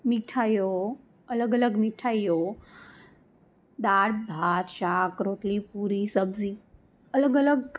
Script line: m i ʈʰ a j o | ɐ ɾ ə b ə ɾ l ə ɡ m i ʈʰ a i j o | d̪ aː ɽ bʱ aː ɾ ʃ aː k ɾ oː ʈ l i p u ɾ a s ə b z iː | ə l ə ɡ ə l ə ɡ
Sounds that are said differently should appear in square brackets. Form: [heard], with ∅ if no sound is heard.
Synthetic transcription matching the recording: m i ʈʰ a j o | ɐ [l] ə [ɡ] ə [∅] l ə ɡ m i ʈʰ a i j o | d̪ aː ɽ bʱ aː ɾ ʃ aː k ɾ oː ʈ l i p u ɾ [i] s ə b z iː | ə l ə ɡ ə l ə ɡ